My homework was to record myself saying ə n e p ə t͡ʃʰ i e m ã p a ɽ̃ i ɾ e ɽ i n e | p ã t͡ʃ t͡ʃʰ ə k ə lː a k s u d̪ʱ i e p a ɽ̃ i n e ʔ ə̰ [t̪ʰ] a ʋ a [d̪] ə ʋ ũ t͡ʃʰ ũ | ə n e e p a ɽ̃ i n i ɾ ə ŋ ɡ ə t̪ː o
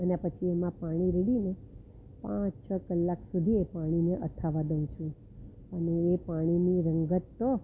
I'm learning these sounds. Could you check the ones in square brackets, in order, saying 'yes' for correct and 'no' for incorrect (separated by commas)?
yes, yes